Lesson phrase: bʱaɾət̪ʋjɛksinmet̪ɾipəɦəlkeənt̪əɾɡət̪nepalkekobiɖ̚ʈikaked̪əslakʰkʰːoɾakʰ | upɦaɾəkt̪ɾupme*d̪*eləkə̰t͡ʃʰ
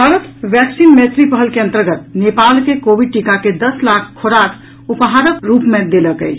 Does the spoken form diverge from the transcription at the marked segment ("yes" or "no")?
no